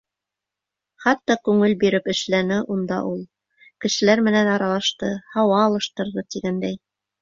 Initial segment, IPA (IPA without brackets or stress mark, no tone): χ